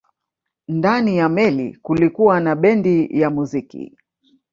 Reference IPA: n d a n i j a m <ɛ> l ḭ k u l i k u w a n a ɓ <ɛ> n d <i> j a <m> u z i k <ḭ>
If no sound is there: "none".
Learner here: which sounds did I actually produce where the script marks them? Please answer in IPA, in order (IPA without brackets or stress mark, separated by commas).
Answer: ɛ, ɛ, i, m, ḭ